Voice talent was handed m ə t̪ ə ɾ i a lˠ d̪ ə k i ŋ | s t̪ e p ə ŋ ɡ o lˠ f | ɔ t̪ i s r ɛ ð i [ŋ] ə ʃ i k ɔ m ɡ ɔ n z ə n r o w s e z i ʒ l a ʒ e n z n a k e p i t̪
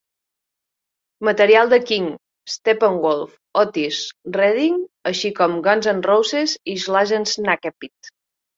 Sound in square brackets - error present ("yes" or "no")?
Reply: no